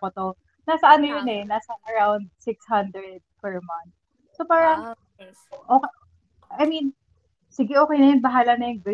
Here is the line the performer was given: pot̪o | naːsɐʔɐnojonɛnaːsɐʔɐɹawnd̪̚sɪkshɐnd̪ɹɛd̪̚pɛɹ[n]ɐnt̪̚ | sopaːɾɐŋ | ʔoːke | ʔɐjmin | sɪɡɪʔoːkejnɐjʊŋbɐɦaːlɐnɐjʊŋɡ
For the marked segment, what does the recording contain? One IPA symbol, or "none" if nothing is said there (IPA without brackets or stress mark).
m